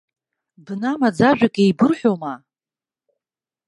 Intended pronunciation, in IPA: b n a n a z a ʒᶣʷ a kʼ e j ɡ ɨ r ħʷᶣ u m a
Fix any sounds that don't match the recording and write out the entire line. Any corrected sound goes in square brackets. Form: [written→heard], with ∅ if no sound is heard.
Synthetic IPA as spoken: b n a [n→m] a [z→d͡z] a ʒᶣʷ a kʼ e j [ɡ→b] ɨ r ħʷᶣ [u→o] m a